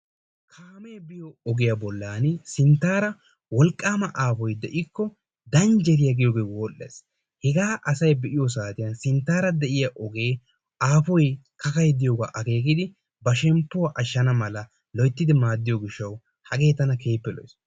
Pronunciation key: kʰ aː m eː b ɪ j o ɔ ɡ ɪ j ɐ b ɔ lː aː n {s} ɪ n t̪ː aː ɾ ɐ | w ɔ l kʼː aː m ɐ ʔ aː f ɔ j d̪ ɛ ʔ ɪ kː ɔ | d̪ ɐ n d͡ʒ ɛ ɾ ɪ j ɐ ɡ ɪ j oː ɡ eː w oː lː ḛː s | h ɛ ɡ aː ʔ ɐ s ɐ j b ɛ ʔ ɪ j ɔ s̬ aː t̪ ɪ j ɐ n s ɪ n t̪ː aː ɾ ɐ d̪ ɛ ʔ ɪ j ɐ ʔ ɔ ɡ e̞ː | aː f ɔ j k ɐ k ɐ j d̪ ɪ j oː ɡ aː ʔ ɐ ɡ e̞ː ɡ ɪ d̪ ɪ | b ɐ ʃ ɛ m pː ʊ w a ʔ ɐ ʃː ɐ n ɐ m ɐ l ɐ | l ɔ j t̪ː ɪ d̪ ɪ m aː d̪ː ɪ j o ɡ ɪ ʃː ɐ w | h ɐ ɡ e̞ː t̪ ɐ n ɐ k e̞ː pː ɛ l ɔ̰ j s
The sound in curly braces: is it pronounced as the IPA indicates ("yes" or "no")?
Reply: yes